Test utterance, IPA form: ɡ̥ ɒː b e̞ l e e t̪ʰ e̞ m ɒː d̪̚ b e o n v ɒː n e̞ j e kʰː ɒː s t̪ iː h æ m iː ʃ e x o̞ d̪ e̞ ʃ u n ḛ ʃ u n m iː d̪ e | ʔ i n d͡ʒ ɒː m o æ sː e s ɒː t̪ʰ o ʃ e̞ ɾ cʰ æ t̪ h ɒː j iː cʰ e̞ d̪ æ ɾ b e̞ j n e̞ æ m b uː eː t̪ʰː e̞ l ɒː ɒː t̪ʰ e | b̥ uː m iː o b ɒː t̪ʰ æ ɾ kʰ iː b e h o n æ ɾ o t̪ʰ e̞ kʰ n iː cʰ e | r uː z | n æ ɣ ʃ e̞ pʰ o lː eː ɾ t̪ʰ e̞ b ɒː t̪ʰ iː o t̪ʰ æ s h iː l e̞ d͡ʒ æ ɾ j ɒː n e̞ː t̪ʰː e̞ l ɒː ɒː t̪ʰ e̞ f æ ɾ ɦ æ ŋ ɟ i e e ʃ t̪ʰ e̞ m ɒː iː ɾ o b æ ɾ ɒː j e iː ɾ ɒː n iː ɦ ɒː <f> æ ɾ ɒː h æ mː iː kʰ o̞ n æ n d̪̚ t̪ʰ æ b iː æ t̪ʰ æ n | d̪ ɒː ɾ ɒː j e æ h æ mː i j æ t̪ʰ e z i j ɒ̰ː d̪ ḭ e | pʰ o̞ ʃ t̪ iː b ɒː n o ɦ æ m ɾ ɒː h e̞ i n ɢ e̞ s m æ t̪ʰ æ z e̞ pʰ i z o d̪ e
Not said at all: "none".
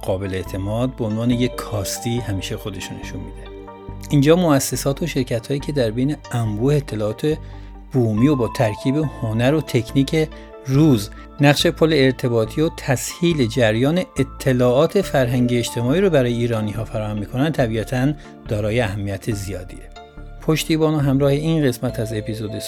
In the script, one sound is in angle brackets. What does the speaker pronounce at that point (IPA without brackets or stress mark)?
f